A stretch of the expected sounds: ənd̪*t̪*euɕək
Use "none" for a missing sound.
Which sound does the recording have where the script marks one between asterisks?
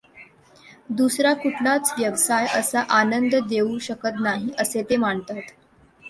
d̪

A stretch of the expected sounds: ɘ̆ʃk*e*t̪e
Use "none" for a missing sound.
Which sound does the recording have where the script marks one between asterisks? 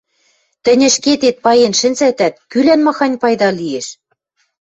e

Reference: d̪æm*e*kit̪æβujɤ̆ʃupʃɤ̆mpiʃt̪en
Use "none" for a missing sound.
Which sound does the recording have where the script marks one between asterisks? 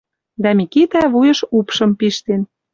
i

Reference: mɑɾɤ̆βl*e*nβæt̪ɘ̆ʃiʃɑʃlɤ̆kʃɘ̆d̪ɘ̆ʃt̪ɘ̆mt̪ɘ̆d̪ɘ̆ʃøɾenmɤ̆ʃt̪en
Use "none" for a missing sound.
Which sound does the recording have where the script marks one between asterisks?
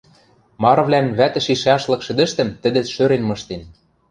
æ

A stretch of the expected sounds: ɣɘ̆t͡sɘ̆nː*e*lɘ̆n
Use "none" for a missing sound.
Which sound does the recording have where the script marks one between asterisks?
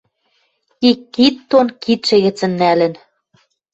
æ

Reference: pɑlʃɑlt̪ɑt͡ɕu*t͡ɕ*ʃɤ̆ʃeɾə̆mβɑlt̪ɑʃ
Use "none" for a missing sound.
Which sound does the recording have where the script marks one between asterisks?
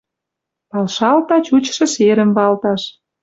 t͡ɕ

